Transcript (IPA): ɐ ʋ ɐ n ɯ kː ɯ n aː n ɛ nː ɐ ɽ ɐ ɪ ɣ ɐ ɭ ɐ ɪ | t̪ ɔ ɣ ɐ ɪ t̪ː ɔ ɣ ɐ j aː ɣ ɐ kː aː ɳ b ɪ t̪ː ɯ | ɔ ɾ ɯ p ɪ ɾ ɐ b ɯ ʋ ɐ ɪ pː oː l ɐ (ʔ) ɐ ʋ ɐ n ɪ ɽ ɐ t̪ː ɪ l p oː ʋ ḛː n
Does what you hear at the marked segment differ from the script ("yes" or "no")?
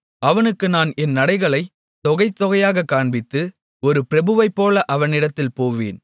no